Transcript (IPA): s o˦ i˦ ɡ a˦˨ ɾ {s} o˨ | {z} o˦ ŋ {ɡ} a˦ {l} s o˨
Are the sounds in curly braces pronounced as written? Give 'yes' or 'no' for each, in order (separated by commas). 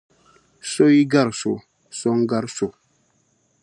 yes, no, yes, no